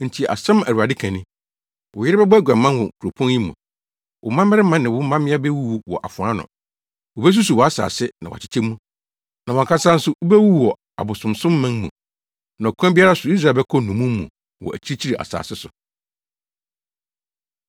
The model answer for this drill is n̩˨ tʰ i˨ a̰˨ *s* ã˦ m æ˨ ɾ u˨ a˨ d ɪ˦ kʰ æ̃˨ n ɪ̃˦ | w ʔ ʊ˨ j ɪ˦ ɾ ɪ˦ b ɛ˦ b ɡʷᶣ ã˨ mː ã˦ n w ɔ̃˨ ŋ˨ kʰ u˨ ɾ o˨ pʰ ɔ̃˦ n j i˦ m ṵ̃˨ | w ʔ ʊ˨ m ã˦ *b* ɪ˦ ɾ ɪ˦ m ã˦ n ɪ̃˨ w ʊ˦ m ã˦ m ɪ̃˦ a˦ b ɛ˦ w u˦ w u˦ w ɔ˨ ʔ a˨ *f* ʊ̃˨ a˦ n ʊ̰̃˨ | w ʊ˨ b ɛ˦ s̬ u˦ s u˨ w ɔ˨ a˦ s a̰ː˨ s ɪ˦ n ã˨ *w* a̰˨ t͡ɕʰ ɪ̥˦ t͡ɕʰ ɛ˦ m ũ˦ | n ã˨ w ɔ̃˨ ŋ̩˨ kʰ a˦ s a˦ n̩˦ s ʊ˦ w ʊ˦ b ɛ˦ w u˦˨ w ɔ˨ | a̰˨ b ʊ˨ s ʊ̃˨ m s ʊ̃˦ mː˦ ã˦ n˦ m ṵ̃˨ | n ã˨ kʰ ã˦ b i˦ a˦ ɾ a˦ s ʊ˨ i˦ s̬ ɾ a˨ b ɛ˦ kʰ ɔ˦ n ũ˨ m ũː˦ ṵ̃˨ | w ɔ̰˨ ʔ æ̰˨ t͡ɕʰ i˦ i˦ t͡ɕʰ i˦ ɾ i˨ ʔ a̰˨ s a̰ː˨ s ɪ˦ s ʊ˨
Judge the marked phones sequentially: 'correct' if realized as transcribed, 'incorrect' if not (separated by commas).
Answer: correct, incorrect, correct, correct